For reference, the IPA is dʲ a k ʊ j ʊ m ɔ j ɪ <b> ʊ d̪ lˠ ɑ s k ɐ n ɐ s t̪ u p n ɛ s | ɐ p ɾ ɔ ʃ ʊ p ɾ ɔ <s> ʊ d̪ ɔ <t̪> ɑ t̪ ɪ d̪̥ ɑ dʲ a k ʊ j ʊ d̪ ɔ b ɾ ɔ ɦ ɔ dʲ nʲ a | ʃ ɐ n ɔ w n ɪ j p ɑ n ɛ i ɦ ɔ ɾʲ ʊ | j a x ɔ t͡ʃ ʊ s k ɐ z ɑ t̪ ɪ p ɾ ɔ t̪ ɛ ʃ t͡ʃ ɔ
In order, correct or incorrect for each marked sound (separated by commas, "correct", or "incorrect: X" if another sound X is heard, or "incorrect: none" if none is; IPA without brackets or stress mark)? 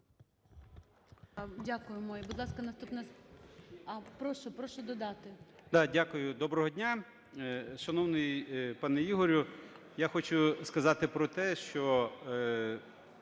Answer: correct, incorrect: ʃ, incorrect: d̪